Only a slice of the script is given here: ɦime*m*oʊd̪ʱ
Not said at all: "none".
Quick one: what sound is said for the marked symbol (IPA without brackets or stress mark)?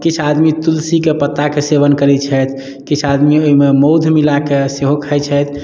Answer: m